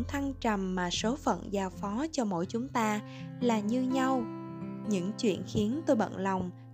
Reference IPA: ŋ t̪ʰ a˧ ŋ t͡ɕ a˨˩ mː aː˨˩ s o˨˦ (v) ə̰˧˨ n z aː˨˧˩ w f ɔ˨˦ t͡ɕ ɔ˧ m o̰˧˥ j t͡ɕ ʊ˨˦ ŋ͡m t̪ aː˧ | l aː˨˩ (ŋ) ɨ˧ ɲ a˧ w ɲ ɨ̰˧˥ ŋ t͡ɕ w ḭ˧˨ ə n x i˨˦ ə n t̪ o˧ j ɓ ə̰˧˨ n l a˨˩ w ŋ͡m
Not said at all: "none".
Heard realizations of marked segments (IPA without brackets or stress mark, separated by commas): f, ɲ